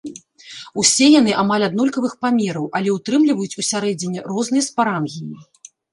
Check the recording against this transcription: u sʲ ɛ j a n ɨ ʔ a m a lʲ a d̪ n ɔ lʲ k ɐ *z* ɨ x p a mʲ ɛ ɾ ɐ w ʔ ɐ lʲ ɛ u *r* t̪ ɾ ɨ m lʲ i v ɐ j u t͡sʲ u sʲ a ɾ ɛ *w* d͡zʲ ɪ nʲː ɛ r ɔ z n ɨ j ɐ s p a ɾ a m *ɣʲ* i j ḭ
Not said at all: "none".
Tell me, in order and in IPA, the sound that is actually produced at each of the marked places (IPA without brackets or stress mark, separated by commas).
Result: v, none, none, ɣʲ